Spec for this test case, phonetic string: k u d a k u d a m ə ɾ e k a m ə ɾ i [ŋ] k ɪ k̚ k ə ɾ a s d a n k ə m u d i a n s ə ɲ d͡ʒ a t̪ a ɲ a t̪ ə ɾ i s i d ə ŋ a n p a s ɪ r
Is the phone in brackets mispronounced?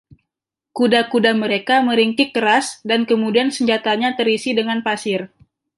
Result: no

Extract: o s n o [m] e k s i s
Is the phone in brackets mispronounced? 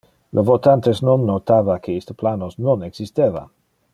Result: yes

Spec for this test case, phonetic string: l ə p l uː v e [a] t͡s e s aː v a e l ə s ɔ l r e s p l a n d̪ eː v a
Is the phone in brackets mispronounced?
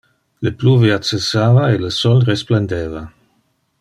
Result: no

